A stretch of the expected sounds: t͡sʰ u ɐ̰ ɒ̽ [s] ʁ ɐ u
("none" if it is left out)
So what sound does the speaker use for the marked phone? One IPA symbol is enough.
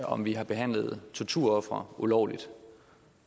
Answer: f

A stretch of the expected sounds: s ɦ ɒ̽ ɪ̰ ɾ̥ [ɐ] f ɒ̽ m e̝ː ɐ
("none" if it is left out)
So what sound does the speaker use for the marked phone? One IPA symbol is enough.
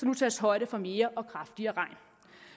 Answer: ə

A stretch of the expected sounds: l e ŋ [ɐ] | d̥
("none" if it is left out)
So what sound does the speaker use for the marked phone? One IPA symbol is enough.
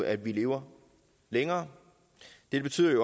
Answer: ɐː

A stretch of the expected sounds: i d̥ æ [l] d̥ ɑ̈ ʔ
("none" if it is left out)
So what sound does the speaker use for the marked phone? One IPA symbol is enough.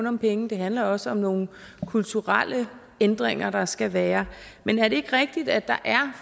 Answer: none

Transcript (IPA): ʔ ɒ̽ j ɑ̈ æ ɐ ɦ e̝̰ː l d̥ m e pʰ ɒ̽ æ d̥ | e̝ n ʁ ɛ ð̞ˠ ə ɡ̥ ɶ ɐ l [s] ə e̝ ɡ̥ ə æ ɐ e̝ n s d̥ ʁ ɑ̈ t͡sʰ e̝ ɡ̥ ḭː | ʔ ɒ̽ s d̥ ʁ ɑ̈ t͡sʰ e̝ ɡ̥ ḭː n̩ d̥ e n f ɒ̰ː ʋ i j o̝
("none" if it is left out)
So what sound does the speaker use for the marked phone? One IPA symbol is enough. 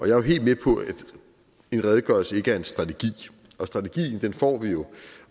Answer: s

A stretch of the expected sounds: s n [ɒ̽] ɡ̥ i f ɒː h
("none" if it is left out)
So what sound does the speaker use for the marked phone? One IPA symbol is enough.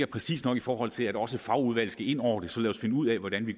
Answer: ɒ̽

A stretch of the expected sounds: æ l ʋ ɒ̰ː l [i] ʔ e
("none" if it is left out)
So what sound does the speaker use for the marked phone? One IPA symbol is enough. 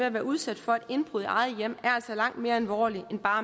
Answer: i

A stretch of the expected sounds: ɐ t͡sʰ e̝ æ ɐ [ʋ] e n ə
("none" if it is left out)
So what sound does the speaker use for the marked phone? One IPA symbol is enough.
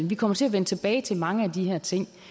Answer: ʋ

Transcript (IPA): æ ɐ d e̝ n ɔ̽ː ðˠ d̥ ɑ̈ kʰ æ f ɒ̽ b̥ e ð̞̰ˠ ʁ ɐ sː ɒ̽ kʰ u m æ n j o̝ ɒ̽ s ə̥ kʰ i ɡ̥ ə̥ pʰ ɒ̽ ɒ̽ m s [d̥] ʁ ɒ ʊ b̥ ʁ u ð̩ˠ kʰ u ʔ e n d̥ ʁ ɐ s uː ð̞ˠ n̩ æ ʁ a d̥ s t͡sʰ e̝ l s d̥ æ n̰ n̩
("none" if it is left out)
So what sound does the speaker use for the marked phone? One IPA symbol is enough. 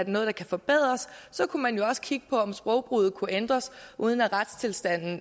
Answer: b̥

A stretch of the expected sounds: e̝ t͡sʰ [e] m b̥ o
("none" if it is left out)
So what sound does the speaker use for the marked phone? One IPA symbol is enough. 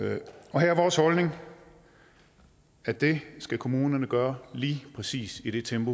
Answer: e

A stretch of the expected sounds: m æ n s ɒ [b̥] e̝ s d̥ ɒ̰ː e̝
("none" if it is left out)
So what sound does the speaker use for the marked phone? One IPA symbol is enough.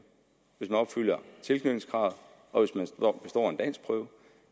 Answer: b̥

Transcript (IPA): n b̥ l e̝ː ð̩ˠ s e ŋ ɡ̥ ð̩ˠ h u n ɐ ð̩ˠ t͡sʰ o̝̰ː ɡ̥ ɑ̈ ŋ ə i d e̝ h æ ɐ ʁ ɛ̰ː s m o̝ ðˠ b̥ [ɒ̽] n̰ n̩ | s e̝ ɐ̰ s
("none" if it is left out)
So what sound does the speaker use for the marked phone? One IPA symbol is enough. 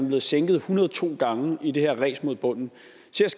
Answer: ɔ̽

